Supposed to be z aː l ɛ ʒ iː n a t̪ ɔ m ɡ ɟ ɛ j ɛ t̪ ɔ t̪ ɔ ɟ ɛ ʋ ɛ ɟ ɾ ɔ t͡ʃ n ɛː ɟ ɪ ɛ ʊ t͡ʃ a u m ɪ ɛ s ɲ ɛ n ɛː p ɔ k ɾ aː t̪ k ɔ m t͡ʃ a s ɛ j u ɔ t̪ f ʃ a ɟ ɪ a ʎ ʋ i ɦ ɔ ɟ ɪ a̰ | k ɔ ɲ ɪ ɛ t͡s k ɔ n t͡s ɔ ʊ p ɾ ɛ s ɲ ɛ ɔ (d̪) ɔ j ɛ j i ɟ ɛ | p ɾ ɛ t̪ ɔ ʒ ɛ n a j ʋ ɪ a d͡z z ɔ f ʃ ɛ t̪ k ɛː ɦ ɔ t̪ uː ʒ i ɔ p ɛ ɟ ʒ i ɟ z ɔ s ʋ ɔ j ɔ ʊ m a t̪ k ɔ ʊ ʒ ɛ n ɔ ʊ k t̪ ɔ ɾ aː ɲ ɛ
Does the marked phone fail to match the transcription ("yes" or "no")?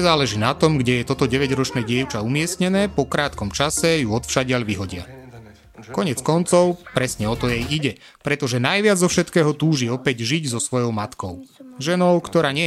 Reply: yes